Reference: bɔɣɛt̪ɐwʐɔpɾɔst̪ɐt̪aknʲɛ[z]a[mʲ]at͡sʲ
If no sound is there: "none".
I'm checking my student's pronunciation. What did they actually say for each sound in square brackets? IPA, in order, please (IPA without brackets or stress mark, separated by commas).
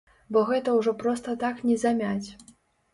z, mʲ